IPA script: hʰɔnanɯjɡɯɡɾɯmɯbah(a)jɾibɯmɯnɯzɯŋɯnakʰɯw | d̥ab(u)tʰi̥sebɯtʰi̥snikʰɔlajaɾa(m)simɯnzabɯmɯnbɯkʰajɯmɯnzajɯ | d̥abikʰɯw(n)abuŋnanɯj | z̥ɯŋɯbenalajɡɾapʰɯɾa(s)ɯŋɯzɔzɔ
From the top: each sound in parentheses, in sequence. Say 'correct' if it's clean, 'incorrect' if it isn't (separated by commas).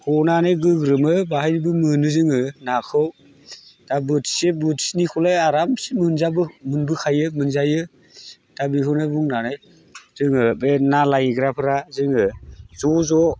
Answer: correct, incorrect, correct, correct, incorrect